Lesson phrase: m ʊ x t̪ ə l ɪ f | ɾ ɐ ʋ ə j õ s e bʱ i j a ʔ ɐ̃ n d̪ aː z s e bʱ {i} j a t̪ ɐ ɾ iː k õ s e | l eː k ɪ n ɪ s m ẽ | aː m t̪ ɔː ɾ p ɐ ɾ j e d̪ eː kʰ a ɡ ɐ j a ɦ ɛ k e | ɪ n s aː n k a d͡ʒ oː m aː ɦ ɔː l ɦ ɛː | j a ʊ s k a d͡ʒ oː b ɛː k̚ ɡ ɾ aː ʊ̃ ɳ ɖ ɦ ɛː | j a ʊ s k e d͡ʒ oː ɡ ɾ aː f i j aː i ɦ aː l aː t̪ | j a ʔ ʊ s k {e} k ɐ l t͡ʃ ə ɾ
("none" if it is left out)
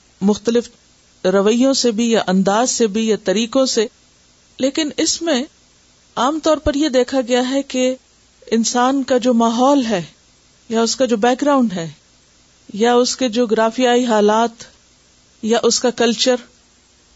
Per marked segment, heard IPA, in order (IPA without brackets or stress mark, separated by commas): i, a